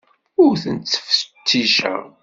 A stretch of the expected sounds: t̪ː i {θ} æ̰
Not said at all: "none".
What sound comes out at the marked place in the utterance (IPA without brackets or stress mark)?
ʃ